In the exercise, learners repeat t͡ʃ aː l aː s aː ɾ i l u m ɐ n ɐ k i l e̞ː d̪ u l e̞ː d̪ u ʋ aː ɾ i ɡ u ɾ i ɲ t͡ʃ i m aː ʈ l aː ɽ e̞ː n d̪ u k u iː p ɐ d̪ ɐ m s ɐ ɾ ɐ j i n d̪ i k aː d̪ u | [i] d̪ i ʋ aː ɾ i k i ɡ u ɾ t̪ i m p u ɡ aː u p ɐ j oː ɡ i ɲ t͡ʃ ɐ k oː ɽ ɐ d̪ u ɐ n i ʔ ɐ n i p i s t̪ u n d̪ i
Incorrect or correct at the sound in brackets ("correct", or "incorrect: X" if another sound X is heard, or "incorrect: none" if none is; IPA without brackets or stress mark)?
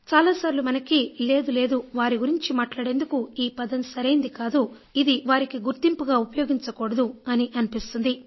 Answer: correct